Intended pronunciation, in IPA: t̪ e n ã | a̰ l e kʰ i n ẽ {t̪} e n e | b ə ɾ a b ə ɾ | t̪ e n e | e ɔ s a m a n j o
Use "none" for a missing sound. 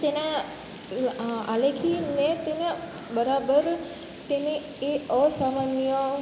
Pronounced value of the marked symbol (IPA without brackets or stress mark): t̪